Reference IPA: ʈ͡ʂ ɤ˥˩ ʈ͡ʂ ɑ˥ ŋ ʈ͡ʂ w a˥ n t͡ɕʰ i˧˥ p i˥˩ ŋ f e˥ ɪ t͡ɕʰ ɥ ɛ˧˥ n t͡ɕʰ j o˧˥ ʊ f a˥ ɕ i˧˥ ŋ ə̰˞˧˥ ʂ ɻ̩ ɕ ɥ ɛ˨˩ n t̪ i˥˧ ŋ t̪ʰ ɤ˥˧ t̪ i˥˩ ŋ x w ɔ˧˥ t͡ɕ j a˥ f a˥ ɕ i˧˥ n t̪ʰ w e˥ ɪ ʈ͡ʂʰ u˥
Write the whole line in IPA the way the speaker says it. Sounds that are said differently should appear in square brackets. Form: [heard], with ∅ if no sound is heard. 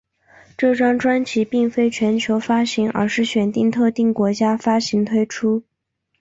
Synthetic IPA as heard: ʈ͡ʂ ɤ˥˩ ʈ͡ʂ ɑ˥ ŋ ʈ͡ʂ w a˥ n t͡ɕʰ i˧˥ p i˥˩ ŋ f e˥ ɪ t͡ɕʰ ɥ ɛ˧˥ n t͡ɕʰ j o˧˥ ʊ f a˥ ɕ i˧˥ ŋ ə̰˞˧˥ ʂ ɻ̩ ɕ ɥ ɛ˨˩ n t̪ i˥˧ ŋ t̪ʰ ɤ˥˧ t̪ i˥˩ ŋ [k] w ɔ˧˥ t͡ɕ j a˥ f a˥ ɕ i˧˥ [ŋ] t̪ʰ w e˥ ɪ ʈ͡ʂʰ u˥